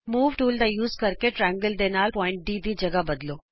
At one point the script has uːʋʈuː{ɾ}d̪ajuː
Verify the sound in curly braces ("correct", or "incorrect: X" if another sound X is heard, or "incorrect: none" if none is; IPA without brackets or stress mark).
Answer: incorrect: l